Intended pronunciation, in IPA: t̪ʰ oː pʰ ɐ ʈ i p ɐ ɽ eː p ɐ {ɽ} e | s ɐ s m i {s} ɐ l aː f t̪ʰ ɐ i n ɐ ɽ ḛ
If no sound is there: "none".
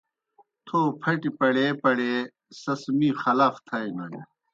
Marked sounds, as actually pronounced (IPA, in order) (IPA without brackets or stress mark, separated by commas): ɽ, x